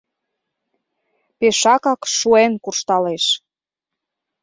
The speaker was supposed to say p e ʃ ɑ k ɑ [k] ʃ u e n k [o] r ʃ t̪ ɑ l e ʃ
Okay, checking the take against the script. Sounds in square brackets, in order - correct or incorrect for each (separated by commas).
correct, incorrect